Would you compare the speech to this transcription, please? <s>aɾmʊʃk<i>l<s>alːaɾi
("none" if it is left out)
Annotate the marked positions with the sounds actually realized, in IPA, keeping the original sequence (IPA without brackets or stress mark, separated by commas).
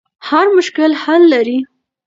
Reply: h, ɪ, h